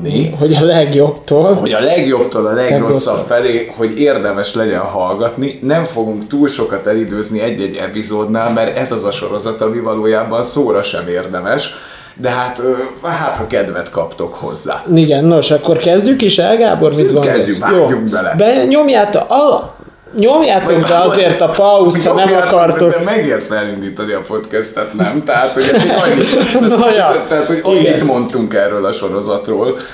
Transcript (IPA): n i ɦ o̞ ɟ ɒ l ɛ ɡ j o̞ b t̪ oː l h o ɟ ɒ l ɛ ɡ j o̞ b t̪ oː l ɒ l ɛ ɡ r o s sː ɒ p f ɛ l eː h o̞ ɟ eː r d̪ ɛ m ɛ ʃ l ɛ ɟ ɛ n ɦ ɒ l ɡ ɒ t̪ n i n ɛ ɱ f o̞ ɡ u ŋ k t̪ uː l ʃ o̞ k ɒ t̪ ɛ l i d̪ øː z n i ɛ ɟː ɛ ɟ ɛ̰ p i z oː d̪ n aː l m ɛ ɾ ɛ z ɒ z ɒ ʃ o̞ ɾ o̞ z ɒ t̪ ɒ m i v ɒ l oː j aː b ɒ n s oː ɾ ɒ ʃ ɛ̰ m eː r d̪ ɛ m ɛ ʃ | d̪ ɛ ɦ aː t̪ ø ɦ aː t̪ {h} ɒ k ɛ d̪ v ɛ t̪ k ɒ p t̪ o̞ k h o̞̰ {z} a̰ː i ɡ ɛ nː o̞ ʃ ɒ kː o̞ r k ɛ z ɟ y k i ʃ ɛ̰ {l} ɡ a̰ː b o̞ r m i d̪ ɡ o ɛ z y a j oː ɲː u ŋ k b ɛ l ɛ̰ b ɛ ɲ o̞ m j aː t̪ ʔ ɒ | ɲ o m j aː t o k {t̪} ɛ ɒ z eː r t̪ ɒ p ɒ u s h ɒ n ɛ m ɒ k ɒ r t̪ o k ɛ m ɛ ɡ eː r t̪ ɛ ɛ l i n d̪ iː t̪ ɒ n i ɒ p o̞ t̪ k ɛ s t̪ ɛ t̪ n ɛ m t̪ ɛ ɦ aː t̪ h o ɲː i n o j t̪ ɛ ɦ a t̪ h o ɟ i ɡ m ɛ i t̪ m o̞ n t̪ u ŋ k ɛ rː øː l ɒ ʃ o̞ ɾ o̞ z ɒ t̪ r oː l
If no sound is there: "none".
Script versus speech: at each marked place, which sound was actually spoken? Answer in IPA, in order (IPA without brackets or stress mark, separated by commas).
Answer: h, zː, l, d̪